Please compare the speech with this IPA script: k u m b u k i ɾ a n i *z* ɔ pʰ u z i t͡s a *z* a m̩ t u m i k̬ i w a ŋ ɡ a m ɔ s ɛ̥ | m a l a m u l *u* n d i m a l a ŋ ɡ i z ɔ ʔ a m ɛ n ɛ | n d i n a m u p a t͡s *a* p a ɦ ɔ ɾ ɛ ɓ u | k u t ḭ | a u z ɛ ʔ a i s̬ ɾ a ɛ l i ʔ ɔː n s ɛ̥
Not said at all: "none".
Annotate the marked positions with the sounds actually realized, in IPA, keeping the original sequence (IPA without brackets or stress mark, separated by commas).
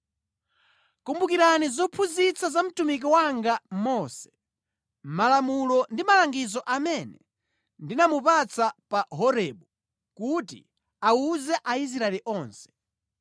z, z, ɔ, a